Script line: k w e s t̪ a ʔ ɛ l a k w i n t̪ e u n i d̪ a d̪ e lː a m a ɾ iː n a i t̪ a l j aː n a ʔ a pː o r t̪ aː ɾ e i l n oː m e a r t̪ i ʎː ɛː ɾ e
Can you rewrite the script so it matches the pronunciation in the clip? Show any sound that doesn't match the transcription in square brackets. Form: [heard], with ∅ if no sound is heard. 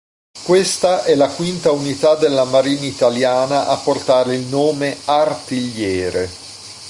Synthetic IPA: k w e s t̪ a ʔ ɛ l a k w i n t̪ [a] u n i [t̪] a d̪ e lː a m a ɾ iː n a i t̪ a l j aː n a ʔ a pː o r t̪ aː ɾ e i l n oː m e a r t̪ i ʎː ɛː ɾ e